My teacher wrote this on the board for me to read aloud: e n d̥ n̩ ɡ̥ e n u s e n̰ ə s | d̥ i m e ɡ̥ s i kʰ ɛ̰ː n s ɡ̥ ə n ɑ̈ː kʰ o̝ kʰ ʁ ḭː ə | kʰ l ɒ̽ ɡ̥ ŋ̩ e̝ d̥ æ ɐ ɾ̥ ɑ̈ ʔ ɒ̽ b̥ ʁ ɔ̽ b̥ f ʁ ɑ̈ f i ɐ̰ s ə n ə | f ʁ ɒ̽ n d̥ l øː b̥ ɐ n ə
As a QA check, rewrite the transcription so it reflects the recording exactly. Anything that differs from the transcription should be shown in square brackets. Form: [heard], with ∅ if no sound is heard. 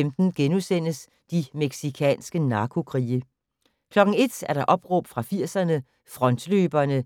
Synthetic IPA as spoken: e [m] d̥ n̩ ɡ̥ e n u s e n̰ ə s | d̥ i m e ɡ̥ s i kʰ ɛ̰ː n s ɡ̥ ə n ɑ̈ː kʰ o̝ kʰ ʁ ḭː ə | kʰ l ɒ̽ ɡ̥ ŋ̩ e̝ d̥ æ ɐ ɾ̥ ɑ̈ ʔ ɒ̽ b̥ ʁ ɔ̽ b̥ f ʁ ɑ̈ f i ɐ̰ s [ɐ] n ə | f ʁ ɒ̽ n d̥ l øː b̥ ɐ n ə